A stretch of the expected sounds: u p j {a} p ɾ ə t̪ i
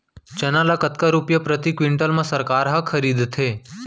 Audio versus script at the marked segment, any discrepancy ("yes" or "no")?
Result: yes